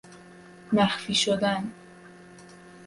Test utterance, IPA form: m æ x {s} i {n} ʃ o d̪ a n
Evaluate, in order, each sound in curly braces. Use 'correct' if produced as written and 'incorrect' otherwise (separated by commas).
incorrect, incorrect